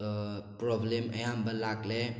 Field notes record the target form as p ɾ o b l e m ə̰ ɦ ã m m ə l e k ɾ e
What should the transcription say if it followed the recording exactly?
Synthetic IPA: p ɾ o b l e m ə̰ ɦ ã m b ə l a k l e